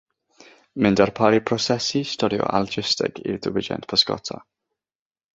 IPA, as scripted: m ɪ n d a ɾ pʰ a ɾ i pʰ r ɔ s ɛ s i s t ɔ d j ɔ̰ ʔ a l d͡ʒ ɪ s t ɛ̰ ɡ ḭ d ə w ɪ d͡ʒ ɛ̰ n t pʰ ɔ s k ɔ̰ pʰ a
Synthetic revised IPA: m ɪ n d a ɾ pʰ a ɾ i pʰ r ɔ s ɛ s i s t ɔ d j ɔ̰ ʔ a l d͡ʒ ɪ s t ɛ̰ ɡ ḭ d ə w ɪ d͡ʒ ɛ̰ n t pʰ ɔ s k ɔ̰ tʰ a